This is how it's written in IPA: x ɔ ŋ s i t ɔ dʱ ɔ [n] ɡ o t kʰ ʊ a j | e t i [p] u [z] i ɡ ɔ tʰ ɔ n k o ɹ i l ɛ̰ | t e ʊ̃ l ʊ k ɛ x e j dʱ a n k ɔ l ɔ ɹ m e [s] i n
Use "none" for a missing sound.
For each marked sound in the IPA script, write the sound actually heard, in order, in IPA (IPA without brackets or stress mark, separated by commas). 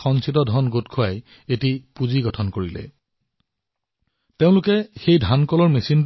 n, p, z, s